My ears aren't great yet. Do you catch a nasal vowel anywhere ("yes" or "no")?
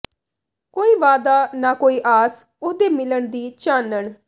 no